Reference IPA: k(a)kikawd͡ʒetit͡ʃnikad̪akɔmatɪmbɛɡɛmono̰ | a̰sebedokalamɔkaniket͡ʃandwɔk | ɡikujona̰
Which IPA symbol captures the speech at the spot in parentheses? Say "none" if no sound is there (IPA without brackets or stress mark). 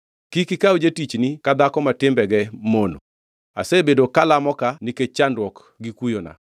i